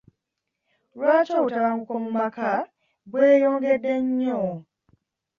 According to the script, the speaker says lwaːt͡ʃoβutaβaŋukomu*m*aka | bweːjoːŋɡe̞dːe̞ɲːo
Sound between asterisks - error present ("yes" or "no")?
no